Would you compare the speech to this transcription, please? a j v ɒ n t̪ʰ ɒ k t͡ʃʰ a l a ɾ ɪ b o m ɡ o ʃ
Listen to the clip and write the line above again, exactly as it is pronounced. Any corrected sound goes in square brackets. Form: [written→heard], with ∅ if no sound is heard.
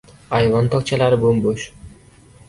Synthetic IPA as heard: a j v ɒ n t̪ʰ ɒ k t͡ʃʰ a l a ɾ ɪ b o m [ɡ→b] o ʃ